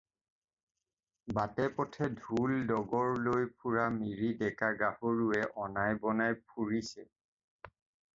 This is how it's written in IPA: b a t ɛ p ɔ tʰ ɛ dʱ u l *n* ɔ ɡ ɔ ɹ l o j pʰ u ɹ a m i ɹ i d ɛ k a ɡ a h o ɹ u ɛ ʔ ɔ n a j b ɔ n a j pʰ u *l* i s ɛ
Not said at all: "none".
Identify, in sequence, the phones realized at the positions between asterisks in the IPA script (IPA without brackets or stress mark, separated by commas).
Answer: d, ɹ